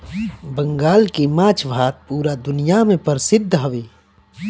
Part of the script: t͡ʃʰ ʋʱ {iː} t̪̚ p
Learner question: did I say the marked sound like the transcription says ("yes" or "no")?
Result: no